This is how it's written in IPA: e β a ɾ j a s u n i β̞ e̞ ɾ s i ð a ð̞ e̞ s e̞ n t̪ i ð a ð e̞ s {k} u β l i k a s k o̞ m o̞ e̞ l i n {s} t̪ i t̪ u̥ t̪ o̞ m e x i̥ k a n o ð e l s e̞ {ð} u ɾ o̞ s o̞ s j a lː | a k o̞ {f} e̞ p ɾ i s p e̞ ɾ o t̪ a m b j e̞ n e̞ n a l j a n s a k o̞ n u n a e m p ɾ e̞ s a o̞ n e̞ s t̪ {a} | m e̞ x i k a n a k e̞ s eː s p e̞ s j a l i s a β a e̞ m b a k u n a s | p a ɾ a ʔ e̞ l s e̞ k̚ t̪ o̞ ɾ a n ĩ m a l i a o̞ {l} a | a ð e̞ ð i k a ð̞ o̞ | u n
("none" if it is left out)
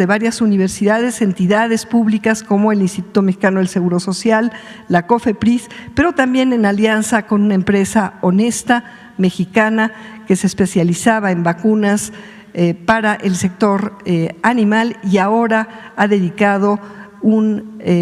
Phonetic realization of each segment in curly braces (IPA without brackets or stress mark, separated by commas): p, s, ɣ, f, a, ɾ